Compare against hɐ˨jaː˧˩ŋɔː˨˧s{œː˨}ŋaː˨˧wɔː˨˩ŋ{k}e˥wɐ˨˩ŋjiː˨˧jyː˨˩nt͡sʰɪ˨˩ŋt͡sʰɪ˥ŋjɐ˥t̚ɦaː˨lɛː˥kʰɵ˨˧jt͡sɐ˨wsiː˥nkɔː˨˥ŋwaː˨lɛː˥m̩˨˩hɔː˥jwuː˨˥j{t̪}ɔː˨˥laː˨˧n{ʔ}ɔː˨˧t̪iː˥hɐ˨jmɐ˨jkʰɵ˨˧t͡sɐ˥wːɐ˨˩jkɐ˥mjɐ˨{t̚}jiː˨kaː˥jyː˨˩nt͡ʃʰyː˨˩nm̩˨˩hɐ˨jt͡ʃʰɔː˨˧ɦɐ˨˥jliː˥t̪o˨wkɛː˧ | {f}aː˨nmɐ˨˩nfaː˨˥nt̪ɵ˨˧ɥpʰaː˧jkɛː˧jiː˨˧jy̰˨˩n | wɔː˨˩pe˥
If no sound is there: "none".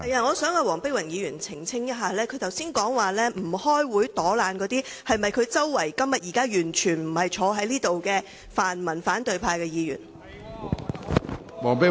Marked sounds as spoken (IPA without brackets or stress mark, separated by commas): œː˨˥, p, t̪, k, t̚, f